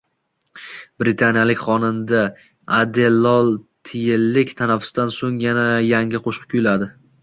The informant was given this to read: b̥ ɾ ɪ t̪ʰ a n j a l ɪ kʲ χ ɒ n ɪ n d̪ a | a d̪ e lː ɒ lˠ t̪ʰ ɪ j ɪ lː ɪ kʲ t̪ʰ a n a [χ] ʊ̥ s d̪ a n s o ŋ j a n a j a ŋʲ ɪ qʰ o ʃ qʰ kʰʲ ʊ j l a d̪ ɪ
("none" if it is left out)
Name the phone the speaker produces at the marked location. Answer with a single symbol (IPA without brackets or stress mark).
f